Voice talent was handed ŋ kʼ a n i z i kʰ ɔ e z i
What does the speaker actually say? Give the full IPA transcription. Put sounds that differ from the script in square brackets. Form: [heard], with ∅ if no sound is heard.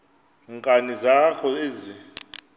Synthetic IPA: ŋ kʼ a n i z [a] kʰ ɔ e z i